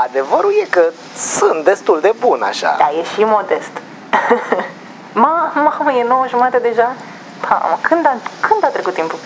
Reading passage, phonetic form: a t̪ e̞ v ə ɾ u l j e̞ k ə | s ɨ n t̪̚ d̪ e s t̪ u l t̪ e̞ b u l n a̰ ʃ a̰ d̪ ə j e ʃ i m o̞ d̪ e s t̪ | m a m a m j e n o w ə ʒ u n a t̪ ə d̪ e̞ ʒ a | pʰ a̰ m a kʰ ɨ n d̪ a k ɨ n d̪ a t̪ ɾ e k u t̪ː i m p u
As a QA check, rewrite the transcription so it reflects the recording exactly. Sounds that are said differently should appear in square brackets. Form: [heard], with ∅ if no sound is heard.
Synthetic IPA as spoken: a [d̪] e̞ v ə ɾ u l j e̞ k ə | s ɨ n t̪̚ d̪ e s t̪ u l [d̪] e̞ b u [∅] n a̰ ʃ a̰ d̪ [a] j e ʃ i m o̞ d̪ e s t̪ | m a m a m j e n o w ə ʒ u [m] a t̪ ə d̪ e̞ ʒ a | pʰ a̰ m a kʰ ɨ n d̪ a k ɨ n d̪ a t̪ ɾ e k u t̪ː i m p u